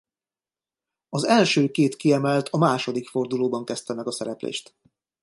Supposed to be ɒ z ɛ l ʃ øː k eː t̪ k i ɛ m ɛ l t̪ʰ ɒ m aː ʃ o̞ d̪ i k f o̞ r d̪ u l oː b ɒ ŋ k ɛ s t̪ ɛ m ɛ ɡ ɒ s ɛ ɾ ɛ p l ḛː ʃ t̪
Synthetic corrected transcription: ɒ z ɛ l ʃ øː k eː t̪ k i ɛ m ɛ l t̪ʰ ɒ m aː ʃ o̞ d̪ i k f o̞ r d̪ u l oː b ɒ ŋ k ɛ s t̪ ɛ m ɛ ɡ ɒ s ɛ ɾ ɛ p l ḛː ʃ t̪